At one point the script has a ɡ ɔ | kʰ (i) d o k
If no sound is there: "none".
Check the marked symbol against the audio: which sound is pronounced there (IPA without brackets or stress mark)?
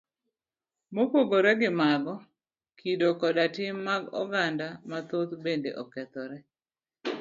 i